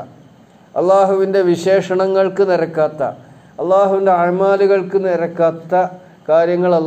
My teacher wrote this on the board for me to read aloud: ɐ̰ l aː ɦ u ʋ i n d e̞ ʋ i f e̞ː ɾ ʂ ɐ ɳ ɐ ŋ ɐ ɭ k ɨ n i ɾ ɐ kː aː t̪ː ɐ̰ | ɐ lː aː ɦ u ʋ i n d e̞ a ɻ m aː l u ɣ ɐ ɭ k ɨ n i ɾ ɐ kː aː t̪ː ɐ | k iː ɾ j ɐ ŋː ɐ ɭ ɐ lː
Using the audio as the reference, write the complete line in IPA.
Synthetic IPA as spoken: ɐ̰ lː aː ɦ u ʋ i n d e̞ ʋ i ɕ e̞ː ʂ ɐ ɳ ɐ ŋː ɐ ɭ k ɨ n i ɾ ɐ kː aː t̪ː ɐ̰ | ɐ lː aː ɦ u ʋ i n d e̞ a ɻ m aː l u ɣ ɐ ɭ k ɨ n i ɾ ɐ kː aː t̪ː ɐ | k aː ɾ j ɐ ŋː ɐ ɭ ɐ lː